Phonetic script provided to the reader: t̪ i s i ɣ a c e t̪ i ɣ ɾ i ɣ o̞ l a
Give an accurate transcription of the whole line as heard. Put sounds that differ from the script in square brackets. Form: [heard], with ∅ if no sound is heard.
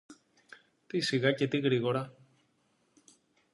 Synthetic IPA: t̪ i s i ɣ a c e t̪ i ɣ ɾ i ɣ o̞ [ɾ] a